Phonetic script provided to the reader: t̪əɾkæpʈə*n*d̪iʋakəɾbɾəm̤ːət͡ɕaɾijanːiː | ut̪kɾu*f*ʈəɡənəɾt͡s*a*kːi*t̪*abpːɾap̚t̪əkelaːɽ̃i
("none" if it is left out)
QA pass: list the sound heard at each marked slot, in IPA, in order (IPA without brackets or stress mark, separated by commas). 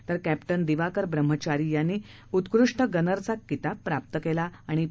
n, ʂ, a, t̪